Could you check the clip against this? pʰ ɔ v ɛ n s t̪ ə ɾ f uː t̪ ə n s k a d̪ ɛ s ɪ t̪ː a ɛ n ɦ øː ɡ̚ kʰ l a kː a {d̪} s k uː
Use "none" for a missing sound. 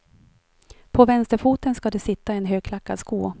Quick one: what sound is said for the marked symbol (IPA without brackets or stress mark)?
d̪